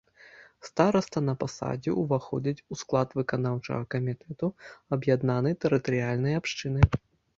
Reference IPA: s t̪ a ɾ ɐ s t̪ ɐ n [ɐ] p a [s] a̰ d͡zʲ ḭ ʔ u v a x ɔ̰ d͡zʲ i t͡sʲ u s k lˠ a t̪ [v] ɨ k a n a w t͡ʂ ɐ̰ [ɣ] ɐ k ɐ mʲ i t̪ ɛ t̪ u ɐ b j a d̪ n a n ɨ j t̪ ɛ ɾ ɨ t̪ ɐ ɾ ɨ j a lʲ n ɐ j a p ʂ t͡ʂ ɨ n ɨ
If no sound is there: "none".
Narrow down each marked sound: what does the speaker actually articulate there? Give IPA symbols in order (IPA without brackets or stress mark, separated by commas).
ɐ, s, v, ɣ